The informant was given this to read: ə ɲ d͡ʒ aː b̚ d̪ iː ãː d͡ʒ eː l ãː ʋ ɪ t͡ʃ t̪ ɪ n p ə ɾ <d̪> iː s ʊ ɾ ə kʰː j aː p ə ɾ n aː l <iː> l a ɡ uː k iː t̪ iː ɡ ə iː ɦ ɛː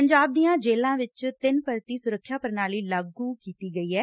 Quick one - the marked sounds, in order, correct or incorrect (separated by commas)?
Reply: incorrect, correct